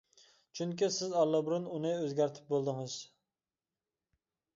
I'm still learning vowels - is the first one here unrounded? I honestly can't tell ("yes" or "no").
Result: no